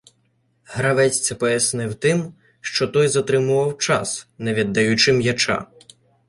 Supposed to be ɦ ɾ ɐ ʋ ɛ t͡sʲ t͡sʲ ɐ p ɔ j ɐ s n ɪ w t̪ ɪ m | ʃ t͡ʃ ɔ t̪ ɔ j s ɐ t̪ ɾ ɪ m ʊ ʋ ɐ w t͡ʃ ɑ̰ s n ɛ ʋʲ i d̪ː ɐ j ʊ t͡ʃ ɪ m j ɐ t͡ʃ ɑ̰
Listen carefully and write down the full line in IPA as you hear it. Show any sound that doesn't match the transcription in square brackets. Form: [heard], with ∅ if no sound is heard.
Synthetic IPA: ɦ ɾ ɐ ʋ ɛ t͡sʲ t͡sʲ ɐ p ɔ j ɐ s n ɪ w t̪ ɪ m | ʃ t͡ʃ ɔ t̪ ɔ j [z] ɐ t̪ ɾ ɪ m ʊ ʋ ɐ w t͡ʃ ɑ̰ s n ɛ ʋʲ i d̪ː ɐ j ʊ t͡ʃ ɪ m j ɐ t͡ʃ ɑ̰